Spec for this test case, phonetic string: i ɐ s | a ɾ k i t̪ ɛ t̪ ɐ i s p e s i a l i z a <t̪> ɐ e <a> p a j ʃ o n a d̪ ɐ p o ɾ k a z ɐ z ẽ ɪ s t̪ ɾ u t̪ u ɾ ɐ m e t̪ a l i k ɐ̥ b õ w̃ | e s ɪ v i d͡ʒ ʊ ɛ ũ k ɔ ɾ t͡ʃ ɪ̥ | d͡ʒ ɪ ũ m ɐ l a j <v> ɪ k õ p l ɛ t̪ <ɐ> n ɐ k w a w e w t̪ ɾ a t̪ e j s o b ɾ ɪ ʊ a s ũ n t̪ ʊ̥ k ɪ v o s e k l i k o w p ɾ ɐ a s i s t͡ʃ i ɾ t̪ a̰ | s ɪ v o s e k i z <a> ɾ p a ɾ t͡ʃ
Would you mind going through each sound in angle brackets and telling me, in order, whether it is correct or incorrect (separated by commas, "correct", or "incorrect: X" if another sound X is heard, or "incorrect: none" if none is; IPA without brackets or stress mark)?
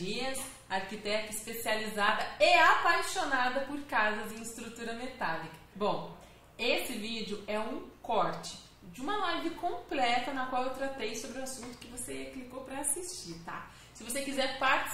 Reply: incorrect: d̪, correct, correct, correct, incorrect: ɛ